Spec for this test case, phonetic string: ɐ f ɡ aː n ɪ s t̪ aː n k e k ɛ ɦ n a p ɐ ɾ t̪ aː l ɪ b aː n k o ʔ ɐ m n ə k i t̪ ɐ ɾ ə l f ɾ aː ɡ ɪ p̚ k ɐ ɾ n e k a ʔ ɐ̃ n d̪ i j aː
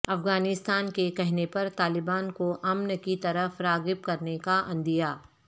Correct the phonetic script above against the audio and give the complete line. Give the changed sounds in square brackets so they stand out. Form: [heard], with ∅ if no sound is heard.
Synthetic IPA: ɐ f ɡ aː n ɪ s t̪ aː n k e k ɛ ɦ n [e] p ɐ ɾ t̪ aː l ɪ b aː n k o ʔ ɐ m n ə k i t̪ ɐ ɾ ə [∅] f ɾ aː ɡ ɪ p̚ k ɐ ɾ n e k a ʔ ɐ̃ n d̪ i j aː